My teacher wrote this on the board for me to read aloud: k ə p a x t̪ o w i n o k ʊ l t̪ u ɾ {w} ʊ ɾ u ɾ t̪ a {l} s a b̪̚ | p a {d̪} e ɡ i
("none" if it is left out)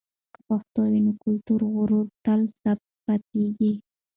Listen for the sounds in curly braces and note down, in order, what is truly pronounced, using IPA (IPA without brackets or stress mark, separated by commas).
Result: ɣ, l, t̪